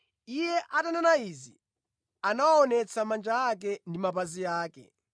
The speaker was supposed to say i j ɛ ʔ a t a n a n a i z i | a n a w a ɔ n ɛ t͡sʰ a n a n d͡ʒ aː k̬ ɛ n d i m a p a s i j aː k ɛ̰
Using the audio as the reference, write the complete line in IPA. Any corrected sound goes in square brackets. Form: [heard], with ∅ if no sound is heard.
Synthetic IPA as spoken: i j ɛ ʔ a t a n a n a i z i | a n a w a ɔ n ɛ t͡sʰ a [m] a n d͡ʒ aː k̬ ɛ n d i m a p a [z] i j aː k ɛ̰